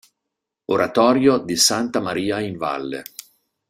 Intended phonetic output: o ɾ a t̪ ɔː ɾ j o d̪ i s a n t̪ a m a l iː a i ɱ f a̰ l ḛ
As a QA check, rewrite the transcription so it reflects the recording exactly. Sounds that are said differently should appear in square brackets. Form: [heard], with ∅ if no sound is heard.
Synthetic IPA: o ɾ a t̪ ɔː ɾ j o d̪ i s a n t̪ a m a [ɾ] iː a i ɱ [v] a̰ [lː] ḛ